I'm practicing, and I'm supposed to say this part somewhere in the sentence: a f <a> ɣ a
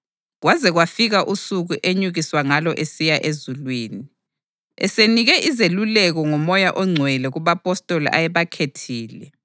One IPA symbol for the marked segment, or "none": i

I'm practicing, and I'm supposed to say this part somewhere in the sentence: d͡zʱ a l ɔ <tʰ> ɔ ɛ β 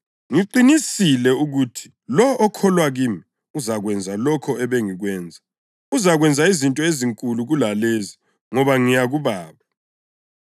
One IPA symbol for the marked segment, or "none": kʰ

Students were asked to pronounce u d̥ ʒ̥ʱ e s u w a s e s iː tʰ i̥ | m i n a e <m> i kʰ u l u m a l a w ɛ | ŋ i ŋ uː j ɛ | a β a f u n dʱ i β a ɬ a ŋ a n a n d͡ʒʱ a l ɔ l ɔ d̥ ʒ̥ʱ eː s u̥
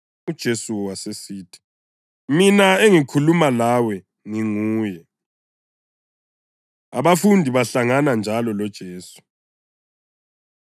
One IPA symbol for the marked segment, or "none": ŋ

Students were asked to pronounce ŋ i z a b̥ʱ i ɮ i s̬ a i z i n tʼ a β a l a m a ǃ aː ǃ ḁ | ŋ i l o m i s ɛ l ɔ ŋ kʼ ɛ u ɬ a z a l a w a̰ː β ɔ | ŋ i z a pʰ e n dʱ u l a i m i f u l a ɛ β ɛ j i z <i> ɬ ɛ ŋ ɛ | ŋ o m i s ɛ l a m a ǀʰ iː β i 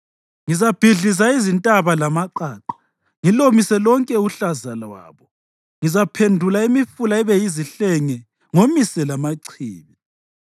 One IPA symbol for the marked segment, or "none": i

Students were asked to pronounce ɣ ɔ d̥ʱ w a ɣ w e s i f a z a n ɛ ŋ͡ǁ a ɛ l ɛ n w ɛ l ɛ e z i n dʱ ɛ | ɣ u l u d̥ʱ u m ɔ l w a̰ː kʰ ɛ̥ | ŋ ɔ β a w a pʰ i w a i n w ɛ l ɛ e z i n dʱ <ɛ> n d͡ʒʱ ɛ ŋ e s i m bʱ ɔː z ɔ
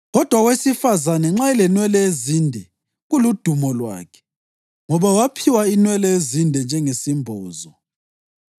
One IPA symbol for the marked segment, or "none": ɛ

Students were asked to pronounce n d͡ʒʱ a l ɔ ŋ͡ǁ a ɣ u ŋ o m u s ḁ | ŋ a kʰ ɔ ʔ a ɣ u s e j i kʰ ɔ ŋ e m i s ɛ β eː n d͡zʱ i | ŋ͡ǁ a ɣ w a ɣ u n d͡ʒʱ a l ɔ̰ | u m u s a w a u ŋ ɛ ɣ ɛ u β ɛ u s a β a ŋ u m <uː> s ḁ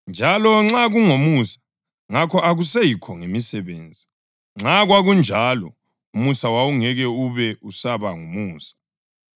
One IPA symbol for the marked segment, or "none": uː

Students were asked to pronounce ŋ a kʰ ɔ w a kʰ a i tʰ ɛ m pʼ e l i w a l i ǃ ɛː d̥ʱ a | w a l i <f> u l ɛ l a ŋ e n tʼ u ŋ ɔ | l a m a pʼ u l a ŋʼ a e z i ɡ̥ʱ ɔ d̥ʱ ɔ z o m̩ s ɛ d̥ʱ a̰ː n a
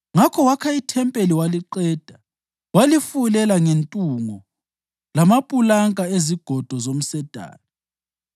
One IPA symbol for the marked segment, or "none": f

